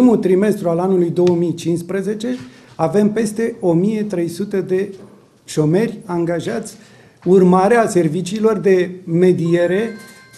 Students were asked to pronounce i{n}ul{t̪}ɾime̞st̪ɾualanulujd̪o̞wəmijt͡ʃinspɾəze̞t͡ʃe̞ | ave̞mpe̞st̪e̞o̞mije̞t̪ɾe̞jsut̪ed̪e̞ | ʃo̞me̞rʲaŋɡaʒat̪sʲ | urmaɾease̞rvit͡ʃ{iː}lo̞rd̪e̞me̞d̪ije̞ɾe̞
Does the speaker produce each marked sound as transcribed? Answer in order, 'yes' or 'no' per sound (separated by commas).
no, yes, yes